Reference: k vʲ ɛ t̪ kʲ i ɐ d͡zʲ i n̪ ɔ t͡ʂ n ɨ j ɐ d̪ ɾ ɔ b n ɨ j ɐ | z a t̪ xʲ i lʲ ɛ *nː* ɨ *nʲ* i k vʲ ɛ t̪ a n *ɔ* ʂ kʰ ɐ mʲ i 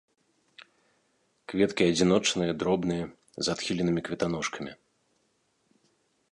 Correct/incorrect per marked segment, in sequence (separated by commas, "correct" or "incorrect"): incorrect, incorrect, correct